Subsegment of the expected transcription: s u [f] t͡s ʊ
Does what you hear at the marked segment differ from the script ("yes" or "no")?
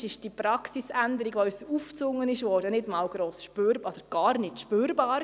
no